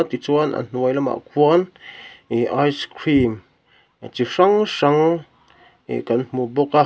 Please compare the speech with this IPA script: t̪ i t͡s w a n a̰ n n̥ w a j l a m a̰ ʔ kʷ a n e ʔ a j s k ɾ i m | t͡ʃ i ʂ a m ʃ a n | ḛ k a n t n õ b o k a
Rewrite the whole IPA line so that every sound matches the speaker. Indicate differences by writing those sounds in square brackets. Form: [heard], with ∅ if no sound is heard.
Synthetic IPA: t̪ i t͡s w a n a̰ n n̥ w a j l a m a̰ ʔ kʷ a n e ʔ a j s k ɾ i m | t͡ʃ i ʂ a [ŋ] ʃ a [ŋ] | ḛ k a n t [m] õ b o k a